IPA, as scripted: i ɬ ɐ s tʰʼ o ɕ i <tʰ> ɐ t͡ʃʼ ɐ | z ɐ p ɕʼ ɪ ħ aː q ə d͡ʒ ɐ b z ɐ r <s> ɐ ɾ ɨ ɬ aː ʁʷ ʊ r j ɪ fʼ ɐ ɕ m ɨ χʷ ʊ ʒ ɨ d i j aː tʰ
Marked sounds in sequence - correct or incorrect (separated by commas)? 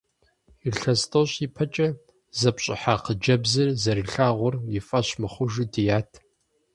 incorrect, incorrect